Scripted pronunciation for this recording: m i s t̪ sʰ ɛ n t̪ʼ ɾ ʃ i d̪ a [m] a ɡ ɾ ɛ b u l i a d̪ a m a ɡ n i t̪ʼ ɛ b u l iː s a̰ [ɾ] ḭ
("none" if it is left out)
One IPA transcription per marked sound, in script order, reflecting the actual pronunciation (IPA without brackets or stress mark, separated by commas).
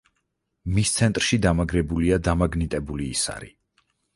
m, ɾ